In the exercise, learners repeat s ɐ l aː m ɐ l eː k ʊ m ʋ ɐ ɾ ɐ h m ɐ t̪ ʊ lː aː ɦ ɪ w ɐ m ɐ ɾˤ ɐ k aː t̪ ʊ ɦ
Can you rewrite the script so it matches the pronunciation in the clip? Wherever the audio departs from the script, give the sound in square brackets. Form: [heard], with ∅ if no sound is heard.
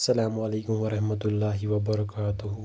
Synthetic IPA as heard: s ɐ l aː m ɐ l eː k ʊ m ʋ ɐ ɾ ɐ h m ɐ t̪ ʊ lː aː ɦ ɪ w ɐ [b] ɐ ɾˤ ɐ k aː t̪ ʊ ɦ

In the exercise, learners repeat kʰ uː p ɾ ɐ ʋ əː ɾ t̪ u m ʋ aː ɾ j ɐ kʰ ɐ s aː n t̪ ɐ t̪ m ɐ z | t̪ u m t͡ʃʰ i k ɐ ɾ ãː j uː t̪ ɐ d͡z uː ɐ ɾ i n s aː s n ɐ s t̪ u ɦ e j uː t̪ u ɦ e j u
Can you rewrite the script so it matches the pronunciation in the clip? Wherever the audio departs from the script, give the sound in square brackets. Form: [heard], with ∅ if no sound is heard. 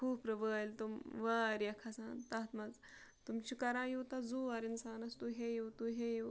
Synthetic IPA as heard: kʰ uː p ɾ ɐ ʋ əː [l] t̪ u m ʋ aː ɾ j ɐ kʰ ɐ s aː n t̪ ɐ t̪ m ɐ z | t̪ u m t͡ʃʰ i k ɐ ɾ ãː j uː t̪ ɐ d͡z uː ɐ ɾ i n s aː [∅] n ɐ s t̪ u ɦ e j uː t̪ u ɦ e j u

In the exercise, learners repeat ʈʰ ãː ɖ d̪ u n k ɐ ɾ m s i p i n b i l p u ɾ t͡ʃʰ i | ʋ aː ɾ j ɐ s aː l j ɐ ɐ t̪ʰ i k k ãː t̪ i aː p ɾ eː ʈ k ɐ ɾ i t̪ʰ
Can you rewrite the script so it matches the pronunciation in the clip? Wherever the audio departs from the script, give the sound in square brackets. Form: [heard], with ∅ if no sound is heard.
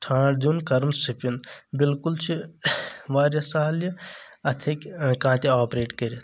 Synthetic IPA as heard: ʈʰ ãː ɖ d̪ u n k ɐ ɾ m s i p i n b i l [k] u [l] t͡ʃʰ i | ʋ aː ɾ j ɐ s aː l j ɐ ɐ t̪ʰ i k k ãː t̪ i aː p ɾ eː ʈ k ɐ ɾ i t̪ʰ

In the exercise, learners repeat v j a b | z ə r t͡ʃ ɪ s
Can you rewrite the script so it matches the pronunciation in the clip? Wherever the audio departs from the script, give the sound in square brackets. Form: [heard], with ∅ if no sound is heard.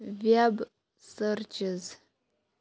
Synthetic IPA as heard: v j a b | [s] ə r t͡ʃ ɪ [z]

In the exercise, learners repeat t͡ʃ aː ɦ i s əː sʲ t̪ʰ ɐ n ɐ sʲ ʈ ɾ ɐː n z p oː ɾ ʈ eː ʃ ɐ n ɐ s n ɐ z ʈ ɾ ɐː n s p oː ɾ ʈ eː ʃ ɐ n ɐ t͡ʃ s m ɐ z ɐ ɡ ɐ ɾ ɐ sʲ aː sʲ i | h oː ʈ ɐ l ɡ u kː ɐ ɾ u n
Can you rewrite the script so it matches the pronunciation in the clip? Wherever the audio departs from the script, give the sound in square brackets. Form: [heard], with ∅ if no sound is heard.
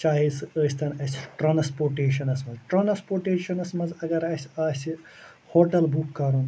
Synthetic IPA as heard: t͡ʃ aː ɦ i s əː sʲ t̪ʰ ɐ n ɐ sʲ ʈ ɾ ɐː n [s] p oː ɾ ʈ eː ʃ ɐ n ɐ s [m] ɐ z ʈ ɾ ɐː n s p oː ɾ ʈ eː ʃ ɐ n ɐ [∅] s m ɐ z ɐ ɡ ɐ ɾ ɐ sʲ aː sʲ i | h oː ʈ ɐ l [b] u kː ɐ ɾ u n

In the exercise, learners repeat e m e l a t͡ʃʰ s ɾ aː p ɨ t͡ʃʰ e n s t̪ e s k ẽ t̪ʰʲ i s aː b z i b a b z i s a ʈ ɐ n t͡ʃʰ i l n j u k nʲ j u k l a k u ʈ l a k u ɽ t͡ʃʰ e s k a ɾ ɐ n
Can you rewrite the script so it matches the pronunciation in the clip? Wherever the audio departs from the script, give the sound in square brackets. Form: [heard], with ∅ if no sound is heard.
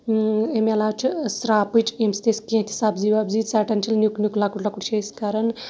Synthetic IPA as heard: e m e l a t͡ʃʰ s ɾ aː p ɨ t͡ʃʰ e [m] s t̪ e s k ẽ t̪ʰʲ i s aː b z i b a b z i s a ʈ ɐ n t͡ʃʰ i l n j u k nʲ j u k l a k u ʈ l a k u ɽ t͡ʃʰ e s k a ɾ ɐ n

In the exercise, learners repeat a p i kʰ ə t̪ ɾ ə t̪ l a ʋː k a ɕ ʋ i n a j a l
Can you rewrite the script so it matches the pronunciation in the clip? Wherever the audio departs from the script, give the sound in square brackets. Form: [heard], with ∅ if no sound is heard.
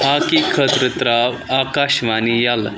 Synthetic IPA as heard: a [k] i kʰ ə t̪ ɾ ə t̪ [ɾ] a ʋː k a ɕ ʋ [a] n [i] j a l

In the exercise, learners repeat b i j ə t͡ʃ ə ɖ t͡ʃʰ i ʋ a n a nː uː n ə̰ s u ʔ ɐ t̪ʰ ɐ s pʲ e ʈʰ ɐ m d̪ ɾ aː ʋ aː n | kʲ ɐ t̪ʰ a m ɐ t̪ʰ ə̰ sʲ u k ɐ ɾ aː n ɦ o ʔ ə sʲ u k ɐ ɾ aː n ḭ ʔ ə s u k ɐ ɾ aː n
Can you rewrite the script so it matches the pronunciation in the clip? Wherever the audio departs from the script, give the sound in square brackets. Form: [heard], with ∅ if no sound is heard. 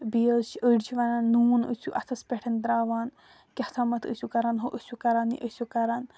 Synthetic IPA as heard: b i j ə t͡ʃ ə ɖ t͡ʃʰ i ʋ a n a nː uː n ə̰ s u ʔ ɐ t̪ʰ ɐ s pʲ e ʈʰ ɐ [n] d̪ ɾ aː ʋ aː n | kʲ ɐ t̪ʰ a m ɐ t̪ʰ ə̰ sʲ u k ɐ ɾ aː n ɦ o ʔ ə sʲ u k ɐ ɾ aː n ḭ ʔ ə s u k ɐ ɾ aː n

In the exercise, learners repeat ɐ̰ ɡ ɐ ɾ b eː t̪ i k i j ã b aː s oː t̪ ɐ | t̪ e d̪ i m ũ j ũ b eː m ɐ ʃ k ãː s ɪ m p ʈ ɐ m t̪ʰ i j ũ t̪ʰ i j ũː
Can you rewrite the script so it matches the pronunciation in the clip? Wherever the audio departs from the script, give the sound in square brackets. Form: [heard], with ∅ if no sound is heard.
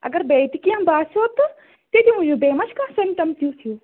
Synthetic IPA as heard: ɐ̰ ɡ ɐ ɾ b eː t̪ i k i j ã b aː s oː t̪ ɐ | t̪ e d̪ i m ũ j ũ b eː m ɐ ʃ k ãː s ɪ m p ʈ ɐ m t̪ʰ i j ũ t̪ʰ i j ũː

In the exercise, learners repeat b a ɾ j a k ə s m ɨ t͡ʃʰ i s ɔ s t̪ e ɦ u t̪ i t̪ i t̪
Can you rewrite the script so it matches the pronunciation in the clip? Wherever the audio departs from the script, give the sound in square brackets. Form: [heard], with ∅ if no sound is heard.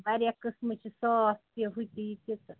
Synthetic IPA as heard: b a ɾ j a k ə s m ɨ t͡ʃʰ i s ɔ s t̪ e ɦ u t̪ i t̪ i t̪

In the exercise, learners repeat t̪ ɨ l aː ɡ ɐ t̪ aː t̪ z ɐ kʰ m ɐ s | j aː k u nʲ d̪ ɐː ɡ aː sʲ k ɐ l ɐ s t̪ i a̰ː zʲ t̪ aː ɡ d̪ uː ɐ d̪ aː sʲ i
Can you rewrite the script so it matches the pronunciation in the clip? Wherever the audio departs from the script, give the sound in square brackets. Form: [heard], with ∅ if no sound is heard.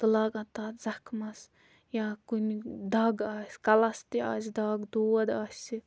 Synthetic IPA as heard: t̪ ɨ l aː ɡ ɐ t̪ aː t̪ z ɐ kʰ m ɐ s | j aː k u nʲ d̪ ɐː ɡ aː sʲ k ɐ l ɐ s t̪ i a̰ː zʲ [d̪] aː ɡ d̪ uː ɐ d̪ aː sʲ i

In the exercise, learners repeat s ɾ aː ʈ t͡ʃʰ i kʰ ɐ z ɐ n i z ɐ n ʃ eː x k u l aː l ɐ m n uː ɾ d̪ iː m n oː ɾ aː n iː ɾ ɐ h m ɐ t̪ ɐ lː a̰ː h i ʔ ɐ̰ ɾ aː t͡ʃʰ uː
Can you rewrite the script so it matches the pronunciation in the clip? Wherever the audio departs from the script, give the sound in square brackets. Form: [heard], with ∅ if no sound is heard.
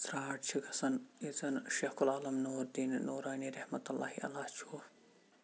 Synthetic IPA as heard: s ɾ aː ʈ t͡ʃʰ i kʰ ɐ [s] ɐ n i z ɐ n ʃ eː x k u l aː l ɐ m n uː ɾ d̪ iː [n] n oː ɾ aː n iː ɾ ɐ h m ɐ t̪ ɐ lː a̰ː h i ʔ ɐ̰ [l] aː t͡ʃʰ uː

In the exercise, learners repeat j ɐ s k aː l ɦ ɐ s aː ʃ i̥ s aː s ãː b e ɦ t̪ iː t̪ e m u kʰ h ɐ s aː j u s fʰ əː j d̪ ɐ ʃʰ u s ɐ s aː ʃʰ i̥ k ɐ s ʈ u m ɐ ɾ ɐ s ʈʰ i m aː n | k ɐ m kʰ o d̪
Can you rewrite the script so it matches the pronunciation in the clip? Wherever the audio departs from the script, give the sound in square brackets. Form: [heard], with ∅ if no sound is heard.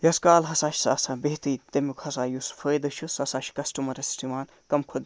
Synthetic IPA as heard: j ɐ s k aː l ɦ ɐ s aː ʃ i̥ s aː s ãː b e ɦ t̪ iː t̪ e m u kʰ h ɐ s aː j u s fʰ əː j d̪ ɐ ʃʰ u s ɐ s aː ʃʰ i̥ k ɐ s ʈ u m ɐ ɾ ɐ s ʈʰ i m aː n | k ɐ m kʰ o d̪

